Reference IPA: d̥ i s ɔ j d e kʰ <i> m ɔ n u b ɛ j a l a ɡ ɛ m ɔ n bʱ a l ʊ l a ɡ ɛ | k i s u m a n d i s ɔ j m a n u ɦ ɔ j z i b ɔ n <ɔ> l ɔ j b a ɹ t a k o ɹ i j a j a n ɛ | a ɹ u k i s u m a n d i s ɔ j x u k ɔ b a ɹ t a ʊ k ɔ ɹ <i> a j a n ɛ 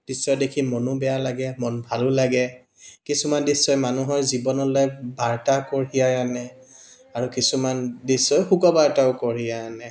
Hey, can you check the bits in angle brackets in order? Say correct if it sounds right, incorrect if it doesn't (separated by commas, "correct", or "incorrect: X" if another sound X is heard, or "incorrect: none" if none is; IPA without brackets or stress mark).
correct, correct, correct